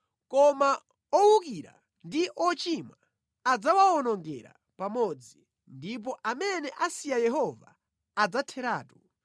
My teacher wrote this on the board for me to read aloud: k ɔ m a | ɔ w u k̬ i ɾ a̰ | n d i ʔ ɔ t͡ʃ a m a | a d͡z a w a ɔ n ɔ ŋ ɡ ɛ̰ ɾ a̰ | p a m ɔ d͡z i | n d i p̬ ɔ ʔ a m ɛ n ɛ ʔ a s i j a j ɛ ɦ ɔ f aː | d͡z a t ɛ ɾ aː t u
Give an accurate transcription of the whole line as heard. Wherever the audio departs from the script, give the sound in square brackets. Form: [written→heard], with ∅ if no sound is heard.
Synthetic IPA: k ɔ m a | ɔ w u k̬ i ɾ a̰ | n d i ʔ ɔ t͡ʃ [a→i] m a | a d͡z a w a ɔ n ɔ ŋ ɡ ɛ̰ ɾ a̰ | p a m ɔ d͡z i | n d i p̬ ɔ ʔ a m ɛ n ɛ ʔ a s i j a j ɛ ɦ ɔ [f→v] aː | d͡z a [t→tʰ] ɛ ɾ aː t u